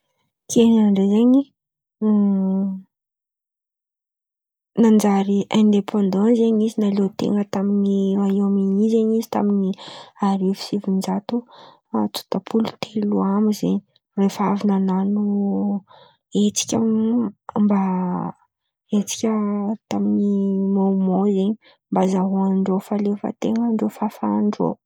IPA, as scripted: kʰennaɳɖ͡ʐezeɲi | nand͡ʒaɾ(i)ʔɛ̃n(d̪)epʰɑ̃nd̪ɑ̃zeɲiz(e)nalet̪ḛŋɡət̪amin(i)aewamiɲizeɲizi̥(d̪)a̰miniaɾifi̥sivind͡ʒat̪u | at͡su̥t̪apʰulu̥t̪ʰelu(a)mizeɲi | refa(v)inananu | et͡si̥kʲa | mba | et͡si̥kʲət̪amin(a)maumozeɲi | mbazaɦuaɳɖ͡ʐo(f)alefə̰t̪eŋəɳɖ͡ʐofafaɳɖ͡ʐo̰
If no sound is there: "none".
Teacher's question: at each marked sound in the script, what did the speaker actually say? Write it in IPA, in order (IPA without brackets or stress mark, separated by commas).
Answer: i, d̪, i, i, t̪, a, v, i, f